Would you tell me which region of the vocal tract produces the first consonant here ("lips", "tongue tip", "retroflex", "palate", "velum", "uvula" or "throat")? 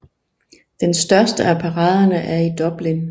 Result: tongue tip